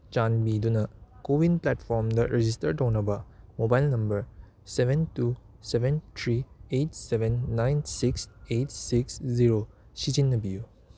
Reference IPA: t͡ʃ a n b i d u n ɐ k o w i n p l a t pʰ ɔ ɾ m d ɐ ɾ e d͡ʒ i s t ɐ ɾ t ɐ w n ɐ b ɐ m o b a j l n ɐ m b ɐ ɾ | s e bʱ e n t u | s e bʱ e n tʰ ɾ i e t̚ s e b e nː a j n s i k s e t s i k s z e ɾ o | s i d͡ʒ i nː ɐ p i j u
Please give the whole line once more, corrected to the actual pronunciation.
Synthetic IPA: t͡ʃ a n b i d u n ɐ k o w i n p l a t pʰ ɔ ɾ m d ɐ ɾ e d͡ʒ i s t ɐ ɾ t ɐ w n ɐ b ɐ m o b a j l n ɐ m b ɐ ɾ | s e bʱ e n t u | s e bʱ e n tʰ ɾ i e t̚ s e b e nː a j n s i k s e t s i k s z i ɾ o | s i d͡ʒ i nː ɐ b i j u